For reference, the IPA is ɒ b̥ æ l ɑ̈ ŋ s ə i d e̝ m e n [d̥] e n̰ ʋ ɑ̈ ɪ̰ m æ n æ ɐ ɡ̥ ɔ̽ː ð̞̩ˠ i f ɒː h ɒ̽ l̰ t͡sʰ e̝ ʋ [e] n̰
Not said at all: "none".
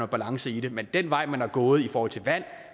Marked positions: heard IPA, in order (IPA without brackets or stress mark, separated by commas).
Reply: d̥, æ